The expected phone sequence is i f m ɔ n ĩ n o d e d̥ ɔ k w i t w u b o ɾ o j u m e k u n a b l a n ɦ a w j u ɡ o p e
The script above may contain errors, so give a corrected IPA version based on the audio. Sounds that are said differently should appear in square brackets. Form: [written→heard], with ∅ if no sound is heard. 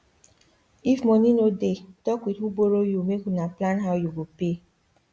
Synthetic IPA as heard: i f m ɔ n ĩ n o d e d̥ ɔ k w i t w u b o ɾ o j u m e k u n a [b→p] l a n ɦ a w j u ɡ o p e

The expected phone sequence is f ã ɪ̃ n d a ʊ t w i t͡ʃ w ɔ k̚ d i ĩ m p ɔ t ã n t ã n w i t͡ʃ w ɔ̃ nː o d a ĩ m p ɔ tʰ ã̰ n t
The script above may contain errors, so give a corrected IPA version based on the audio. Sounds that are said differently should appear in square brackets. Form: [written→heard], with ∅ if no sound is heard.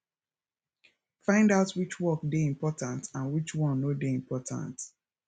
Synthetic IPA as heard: f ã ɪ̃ n d a ʊ t w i t͡ʃ w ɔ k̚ d [i→e] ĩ m p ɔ t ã n t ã n w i t͡ʃ w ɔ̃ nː o d [a→e] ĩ m p ɔ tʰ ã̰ n t

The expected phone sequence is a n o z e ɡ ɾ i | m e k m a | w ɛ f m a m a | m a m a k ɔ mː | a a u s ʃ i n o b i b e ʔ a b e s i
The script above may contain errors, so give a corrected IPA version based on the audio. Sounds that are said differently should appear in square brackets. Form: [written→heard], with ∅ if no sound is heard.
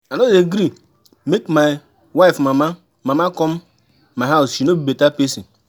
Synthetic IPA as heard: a n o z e ɡ ɾ i | m e k m a | w [ɛ→a] f m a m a | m a m a k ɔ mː | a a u s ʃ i n o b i b e [ʔ→t] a [b→p] e s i

